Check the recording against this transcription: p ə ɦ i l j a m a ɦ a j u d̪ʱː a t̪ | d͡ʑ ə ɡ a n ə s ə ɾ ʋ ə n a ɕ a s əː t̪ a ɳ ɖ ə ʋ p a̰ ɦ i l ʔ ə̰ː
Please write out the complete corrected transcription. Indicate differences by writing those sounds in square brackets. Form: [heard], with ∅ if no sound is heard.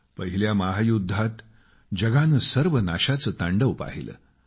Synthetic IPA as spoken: p ə ɦ i l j a m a ɦ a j u d̪ʱː a t̪ | d͡ʑ ə ɡ a n ə s ə ɾ ʋ ə n a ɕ a [t͡s] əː t̪ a ɳ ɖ ə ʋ p a̰ ɦ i l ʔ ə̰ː